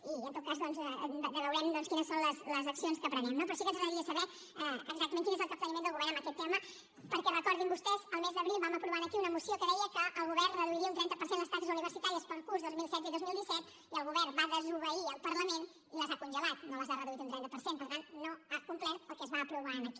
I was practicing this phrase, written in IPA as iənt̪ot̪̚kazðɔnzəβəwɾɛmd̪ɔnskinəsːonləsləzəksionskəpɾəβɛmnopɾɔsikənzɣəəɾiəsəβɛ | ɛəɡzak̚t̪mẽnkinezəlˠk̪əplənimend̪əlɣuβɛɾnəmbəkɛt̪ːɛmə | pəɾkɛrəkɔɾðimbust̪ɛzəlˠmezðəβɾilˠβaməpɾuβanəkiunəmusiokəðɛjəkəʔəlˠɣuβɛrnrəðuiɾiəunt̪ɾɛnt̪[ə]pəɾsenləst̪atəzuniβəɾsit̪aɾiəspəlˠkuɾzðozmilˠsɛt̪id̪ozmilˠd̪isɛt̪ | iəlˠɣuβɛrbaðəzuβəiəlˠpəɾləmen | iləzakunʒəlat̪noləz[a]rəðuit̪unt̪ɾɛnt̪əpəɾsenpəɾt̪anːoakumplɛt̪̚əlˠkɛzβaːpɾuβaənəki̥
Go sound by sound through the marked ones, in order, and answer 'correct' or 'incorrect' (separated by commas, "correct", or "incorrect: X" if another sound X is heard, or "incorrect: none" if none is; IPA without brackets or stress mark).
correct, correct